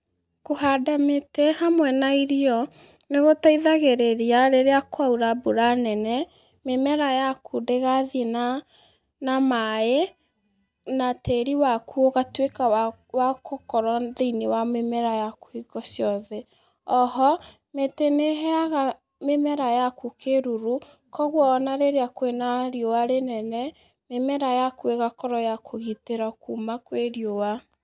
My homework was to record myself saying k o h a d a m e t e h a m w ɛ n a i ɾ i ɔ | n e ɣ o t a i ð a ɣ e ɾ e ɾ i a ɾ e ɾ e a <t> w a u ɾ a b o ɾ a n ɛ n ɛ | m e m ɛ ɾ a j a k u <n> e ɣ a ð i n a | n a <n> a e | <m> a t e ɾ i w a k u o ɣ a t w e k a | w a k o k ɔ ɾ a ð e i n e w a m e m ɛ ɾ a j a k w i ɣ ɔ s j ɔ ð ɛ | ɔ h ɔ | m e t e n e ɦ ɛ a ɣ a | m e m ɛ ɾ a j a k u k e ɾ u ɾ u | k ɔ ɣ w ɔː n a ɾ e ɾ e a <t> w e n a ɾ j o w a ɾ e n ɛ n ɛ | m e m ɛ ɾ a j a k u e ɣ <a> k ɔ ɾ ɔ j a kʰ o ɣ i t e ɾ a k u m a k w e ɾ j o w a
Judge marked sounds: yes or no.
no, no, no, no, no, yes

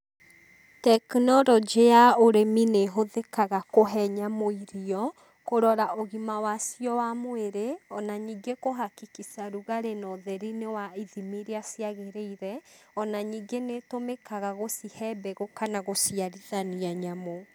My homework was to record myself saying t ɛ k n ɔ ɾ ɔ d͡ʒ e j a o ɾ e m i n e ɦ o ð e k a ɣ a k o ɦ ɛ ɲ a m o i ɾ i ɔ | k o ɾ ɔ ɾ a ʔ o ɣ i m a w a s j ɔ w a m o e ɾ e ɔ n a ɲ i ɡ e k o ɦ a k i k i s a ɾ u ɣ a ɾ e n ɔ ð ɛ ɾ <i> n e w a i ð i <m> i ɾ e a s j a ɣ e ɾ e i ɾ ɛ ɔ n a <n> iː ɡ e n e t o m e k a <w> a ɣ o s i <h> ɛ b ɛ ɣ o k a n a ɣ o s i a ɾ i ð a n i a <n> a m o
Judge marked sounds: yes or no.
yes, yes, no, no, yes, no

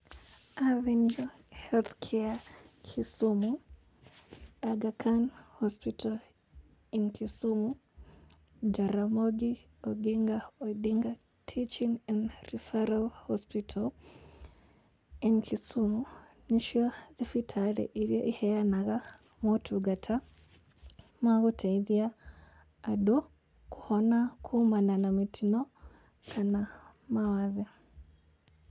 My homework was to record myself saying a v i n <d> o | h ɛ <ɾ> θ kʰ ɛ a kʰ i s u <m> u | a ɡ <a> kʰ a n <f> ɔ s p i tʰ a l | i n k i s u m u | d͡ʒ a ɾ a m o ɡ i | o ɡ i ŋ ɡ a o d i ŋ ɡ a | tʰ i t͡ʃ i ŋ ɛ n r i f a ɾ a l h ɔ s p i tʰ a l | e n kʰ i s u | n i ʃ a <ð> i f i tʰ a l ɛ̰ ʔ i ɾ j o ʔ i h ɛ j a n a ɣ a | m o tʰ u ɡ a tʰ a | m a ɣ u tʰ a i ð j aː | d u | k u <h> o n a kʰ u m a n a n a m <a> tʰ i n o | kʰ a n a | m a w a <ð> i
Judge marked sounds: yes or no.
no, no, yes, yes, no, yes, yes, no, yes

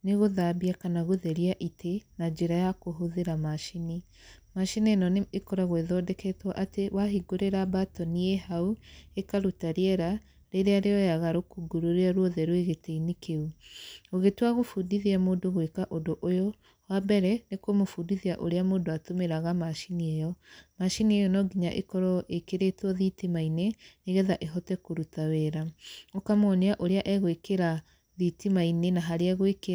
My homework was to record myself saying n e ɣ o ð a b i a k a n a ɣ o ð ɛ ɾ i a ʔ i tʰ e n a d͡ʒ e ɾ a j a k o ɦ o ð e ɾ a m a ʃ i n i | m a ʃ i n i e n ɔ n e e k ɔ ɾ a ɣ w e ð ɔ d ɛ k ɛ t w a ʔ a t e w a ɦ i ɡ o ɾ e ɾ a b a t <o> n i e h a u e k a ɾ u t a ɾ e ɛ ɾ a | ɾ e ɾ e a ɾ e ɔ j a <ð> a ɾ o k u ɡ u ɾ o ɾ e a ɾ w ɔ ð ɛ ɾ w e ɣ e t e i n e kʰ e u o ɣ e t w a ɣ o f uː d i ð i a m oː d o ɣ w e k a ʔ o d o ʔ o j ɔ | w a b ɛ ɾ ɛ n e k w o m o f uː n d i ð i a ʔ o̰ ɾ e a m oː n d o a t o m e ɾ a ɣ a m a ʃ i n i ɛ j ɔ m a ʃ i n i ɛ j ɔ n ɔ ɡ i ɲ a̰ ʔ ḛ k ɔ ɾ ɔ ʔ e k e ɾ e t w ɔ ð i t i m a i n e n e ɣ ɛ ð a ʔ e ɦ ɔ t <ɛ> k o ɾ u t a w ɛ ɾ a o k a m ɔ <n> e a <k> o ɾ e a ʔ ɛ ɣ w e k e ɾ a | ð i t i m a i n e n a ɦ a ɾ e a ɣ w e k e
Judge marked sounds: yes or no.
no, no, yes, yes, no

